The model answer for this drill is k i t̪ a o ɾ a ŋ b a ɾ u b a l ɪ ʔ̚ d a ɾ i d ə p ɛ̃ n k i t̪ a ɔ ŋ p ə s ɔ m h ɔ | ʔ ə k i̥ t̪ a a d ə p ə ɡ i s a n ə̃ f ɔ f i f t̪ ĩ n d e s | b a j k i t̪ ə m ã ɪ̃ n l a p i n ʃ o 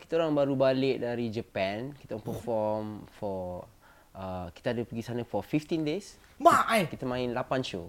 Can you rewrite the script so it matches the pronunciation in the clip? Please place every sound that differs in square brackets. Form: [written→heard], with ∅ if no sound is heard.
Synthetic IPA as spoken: k i t̪ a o ɾ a ŋ b a ɾ u b a l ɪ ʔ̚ d a ɾ i [d→d͡ʒ] ə p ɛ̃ n k i t̪ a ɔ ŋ p ə [s→f] ɔ m [h→f] ɔ | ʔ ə k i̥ t̪ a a d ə p ə ɡ i s a n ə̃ f ɔ f i f t̪ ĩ n d e s | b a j k i t̪ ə m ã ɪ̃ n l a p [i→a] n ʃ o